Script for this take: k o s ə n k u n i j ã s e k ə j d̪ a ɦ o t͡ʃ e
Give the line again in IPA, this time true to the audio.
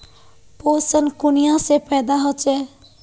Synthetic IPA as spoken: p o s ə n k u n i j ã s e p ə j d̪ a ɦ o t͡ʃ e